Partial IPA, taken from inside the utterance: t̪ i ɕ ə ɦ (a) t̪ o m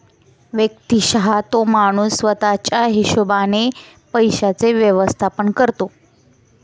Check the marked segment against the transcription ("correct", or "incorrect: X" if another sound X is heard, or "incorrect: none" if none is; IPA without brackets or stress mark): correct